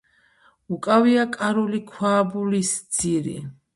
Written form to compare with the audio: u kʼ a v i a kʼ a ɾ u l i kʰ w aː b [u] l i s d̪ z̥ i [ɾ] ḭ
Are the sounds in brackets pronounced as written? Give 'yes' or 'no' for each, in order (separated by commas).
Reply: yes, yes